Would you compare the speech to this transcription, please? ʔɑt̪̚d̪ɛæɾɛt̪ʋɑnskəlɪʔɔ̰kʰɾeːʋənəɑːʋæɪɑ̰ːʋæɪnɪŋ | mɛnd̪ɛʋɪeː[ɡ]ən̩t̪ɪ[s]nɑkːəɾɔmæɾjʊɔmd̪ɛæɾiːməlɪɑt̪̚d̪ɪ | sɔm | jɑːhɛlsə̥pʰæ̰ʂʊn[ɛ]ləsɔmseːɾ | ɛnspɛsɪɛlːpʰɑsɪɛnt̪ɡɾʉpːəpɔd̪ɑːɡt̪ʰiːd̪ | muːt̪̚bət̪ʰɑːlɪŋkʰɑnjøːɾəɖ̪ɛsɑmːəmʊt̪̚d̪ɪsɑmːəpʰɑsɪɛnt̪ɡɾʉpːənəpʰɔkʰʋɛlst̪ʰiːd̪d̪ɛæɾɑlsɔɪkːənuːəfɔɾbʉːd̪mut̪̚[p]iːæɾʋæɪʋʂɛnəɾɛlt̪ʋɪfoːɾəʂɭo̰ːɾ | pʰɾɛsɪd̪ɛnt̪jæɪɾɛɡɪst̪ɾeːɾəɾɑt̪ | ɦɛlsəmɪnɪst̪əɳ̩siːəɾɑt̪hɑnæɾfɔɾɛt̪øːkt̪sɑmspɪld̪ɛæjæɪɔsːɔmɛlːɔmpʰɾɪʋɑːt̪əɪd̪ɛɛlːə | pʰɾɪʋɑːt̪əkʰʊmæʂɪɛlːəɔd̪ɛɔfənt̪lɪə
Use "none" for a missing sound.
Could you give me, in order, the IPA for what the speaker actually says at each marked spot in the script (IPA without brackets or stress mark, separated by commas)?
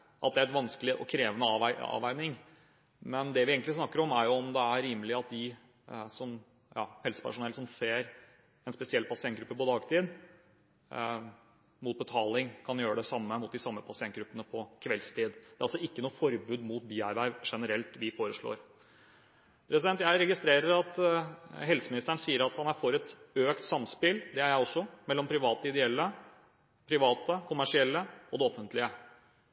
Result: ɡ, s, ɛ, b